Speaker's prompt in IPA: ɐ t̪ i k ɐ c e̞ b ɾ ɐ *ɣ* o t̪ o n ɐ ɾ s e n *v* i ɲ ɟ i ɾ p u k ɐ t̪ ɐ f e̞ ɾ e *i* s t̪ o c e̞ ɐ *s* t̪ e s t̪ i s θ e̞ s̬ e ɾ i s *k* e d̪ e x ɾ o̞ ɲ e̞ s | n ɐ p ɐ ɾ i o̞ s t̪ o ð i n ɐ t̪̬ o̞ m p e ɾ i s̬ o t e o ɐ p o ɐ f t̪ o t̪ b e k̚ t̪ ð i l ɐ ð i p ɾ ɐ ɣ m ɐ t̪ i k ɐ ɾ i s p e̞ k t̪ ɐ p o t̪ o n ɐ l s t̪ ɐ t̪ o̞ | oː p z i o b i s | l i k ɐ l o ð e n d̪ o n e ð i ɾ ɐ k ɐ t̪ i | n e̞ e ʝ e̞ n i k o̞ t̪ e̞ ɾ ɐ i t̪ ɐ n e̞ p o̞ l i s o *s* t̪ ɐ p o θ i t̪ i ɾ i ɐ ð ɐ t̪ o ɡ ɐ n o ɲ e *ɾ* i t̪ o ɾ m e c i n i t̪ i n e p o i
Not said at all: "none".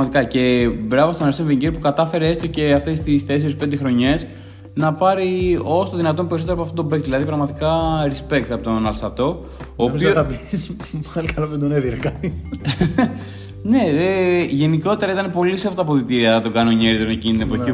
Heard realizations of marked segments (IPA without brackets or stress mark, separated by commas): v, v, e, f, p, f, ɾ